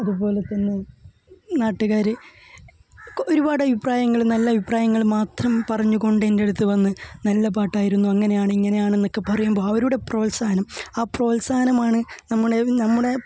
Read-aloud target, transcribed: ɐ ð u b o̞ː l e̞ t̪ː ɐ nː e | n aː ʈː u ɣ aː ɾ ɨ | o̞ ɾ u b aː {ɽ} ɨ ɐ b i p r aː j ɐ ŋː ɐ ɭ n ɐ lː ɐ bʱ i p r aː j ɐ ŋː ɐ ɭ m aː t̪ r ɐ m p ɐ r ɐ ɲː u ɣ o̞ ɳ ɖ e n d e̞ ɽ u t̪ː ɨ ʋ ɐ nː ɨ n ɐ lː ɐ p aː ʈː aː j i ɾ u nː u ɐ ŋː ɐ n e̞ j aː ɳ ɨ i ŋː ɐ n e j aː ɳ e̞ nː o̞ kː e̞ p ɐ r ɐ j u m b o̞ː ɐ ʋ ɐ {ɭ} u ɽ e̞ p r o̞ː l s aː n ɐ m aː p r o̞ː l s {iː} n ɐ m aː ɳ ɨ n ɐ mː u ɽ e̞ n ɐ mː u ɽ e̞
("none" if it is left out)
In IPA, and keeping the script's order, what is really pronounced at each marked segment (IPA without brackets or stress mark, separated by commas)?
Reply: ɽ, ɾ, aː